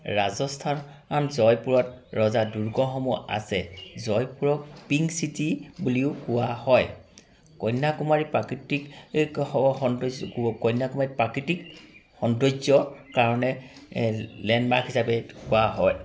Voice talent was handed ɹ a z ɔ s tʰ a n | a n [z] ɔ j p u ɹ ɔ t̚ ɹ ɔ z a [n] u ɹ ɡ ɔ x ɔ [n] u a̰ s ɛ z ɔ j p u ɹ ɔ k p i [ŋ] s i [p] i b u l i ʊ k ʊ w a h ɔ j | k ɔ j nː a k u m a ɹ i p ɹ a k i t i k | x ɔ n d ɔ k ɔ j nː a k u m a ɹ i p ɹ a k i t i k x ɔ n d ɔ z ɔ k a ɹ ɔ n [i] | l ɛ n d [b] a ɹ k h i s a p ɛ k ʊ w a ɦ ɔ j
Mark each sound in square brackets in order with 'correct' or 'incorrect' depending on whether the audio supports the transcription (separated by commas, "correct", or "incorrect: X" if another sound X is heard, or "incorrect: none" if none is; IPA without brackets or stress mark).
correct, incorrect: d, incorrect: m, correct, incorrect: t, incorrect: ɛ, incorrect: m